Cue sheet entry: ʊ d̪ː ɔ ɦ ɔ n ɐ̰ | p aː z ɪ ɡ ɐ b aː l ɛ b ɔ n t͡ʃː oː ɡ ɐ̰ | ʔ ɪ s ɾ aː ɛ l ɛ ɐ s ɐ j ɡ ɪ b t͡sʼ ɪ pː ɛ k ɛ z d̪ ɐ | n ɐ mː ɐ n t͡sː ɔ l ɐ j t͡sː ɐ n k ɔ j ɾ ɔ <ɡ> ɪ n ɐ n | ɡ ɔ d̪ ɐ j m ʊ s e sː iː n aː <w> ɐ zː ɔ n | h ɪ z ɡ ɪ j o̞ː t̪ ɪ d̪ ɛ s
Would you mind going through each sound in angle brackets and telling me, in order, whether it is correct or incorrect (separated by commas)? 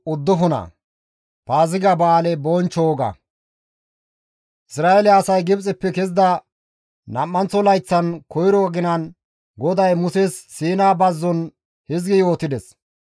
correct, incorrect